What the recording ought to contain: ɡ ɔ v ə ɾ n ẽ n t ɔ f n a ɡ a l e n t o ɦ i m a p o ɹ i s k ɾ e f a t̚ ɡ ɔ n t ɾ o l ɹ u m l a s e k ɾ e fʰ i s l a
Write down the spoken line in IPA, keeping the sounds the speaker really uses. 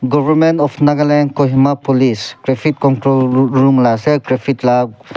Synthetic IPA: ɡ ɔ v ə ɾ m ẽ n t ɔ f n a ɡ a l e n k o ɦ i m a p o l i s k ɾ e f i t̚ k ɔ n t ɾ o l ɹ u m l a s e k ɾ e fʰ i t l a